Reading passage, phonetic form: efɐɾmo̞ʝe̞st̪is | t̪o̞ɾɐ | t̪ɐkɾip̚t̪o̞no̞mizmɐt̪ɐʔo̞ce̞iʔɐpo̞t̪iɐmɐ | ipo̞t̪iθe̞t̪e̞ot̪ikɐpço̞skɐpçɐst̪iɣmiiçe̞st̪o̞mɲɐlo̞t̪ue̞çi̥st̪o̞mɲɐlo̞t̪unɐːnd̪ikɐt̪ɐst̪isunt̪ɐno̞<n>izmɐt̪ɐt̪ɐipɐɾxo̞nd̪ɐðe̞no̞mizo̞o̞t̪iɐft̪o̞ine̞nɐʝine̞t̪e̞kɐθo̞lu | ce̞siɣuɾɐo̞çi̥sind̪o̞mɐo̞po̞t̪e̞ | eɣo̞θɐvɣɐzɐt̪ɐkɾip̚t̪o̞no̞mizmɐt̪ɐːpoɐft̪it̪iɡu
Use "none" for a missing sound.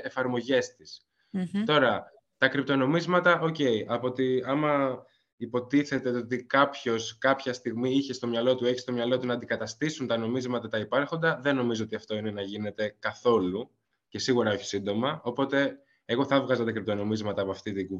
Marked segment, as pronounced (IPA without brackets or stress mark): m